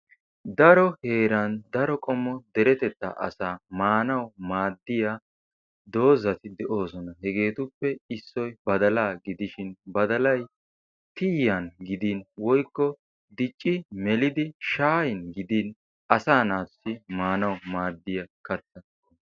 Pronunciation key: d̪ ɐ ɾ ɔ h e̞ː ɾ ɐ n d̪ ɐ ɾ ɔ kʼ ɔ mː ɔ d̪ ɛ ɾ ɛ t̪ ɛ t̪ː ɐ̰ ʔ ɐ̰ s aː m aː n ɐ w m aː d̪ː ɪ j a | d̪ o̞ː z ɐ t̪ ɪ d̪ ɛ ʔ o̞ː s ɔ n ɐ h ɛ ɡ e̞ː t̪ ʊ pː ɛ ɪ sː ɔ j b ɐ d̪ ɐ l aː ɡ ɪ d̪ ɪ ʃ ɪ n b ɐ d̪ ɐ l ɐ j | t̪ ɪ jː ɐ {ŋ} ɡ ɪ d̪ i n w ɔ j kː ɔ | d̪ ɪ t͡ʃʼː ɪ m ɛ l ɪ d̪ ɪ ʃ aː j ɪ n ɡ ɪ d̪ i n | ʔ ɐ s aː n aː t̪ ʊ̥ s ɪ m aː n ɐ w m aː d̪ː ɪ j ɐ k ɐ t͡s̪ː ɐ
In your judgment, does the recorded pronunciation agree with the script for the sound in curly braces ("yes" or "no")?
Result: no